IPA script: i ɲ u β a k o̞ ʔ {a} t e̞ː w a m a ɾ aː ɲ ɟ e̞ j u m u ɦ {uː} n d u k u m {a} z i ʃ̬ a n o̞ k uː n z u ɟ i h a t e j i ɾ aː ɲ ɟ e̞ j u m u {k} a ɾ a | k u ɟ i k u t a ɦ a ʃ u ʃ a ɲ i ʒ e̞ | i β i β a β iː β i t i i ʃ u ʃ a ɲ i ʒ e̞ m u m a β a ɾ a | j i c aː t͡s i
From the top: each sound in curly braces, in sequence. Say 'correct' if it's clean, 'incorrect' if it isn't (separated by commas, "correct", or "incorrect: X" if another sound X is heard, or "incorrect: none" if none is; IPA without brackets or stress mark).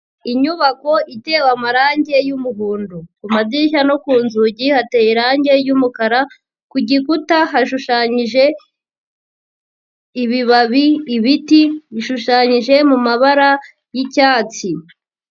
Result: incorrect: i, correct, correct, correct